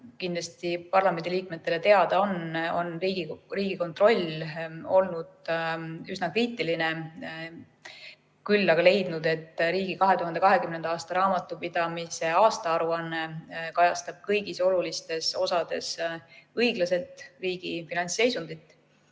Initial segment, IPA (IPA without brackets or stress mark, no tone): k